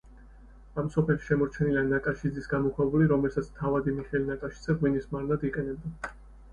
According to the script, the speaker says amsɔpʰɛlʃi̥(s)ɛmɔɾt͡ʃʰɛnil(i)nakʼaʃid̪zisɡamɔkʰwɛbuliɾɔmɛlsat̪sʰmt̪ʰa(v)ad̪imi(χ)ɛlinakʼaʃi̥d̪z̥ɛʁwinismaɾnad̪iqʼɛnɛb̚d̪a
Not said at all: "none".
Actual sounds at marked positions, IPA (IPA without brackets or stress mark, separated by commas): ʃ, a, v, χ